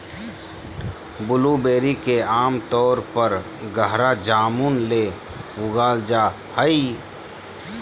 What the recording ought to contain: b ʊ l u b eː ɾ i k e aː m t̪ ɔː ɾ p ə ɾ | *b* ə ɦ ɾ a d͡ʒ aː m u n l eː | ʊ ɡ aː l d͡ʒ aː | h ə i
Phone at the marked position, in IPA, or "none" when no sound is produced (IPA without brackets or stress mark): ɡ